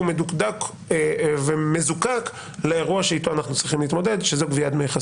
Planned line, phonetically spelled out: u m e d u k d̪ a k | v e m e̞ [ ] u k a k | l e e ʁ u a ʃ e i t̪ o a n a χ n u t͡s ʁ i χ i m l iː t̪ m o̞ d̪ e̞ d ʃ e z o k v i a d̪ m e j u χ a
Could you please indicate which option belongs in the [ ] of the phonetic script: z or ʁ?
z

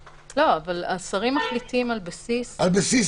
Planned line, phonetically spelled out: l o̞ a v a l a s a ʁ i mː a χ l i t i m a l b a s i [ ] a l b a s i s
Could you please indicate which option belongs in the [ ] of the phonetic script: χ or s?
s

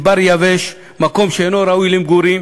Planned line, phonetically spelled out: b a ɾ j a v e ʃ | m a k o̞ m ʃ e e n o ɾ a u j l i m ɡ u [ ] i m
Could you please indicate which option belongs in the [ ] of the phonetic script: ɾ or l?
ɾ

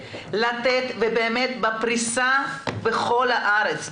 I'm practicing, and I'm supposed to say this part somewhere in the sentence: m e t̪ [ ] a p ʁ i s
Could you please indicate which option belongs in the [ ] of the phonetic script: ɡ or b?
b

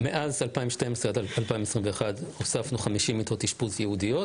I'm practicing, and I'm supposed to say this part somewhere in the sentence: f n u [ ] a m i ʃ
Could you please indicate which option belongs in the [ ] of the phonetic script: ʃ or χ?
χ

